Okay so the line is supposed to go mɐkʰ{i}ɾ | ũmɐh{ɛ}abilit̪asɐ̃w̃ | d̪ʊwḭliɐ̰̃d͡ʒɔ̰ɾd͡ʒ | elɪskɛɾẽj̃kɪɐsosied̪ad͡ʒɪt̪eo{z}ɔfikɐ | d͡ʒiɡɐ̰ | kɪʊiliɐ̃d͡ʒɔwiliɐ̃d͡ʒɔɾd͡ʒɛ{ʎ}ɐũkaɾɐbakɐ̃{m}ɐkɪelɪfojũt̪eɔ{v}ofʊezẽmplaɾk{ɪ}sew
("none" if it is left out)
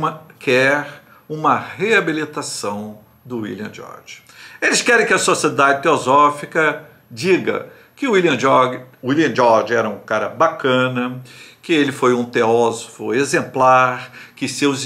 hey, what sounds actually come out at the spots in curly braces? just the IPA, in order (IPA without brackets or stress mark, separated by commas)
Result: ɛ, e, z, ɾ, n, z, ɪ